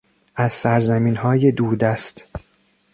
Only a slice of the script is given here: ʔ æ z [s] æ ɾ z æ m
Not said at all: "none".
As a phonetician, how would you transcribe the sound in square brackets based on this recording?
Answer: s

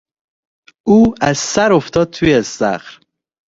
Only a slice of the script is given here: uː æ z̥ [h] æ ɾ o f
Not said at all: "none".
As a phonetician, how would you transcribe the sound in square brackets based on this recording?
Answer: s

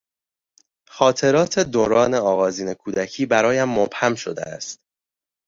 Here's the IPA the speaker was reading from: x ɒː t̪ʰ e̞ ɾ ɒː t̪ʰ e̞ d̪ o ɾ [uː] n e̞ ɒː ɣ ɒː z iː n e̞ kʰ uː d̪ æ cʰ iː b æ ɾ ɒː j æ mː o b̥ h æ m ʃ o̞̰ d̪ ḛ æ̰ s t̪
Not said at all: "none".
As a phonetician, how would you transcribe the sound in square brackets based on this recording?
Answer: ɒː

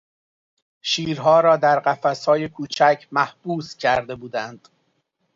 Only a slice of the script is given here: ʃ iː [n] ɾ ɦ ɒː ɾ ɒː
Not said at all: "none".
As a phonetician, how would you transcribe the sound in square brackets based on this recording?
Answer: none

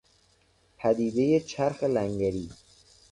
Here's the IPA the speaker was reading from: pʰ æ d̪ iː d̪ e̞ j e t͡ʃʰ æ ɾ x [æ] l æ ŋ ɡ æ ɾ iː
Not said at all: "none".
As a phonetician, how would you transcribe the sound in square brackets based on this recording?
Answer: e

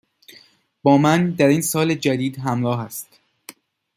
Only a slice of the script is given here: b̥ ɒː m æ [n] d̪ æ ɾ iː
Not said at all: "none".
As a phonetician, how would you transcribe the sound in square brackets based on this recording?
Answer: n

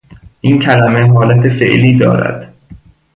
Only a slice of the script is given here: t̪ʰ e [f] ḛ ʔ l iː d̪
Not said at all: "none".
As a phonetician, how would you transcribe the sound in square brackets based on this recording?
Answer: f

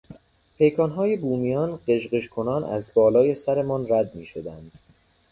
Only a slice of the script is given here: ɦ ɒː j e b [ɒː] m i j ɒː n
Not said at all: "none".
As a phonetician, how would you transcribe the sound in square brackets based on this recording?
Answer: uː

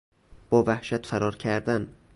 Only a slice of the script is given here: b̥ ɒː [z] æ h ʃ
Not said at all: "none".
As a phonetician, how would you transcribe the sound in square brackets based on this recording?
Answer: v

